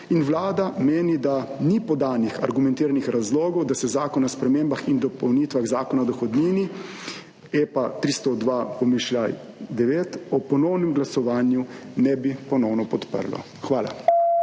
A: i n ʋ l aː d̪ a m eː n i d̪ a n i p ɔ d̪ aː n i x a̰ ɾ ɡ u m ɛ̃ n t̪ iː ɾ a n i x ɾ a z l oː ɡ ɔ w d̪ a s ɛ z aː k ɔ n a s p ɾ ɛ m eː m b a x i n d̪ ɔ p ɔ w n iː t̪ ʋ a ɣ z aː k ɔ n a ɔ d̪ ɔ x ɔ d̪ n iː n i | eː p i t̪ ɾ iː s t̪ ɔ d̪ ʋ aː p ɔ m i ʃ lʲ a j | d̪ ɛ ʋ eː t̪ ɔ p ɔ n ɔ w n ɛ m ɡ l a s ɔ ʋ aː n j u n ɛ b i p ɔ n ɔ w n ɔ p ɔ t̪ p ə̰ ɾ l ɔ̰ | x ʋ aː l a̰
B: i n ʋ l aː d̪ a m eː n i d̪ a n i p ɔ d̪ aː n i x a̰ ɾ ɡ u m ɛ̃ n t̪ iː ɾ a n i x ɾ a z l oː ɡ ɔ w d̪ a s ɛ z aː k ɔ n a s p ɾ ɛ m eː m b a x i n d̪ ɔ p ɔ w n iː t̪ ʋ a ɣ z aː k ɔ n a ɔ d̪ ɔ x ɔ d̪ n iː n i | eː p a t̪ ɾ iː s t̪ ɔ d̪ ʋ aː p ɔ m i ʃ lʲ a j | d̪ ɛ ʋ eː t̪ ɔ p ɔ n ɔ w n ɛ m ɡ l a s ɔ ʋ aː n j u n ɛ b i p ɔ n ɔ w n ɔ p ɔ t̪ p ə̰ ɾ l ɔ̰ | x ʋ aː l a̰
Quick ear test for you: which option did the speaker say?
B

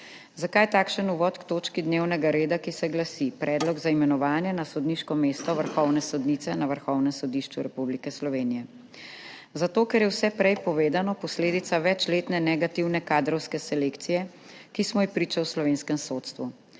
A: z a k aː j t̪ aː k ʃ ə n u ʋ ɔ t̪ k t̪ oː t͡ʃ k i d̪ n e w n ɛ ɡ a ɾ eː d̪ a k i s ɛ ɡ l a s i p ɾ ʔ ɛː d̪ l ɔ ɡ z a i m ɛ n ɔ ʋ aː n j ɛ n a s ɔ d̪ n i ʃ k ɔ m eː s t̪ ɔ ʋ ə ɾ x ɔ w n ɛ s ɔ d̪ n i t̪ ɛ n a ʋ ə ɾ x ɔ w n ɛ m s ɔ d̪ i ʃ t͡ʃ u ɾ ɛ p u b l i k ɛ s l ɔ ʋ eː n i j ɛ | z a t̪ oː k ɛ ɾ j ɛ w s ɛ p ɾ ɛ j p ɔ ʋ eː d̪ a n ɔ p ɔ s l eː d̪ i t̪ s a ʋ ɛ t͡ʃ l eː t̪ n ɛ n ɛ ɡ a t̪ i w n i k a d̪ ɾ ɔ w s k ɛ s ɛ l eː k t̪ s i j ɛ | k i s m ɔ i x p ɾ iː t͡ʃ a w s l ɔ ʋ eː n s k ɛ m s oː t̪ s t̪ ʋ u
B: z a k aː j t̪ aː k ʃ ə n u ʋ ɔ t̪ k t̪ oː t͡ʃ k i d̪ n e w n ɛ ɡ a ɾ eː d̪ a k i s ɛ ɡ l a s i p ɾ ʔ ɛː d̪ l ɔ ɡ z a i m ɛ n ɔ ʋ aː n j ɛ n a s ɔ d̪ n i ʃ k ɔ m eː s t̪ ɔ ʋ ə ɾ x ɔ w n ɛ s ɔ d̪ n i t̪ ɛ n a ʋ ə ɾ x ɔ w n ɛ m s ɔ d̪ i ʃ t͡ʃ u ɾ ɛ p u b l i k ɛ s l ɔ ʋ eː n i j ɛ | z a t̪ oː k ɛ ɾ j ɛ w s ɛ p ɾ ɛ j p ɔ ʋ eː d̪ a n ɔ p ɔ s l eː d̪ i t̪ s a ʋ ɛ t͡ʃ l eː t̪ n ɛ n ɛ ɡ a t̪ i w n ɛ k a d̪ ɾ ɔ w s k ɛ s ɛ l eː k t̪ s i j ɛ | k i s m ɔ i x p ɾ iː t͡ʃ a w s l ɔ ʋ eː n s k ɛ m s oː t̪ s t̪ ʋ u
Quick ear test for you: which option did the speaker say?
B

